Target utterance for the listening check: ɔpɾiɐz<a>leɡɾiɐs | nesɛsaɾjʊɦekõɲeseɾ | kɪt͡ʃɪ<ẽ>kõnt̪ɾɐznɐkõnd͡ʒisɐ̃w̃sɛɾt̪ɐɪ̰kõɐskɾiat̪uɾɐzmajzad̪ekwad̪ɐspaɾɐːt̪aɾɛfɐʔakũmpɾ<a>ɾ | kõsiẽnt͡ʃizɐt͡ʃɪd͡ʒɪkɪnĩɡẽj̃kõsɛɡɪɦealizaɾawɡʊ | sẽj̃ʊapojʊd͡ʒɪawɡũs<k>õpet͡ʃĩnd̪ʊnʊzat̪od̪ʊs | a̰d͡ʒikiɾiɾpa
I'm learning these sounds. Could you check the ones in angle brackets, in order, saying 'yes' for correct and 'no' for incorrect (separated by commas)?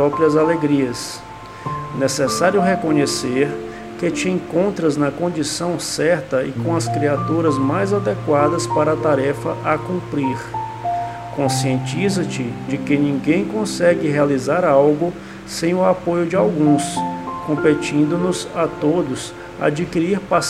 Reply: yes, yes, no, yes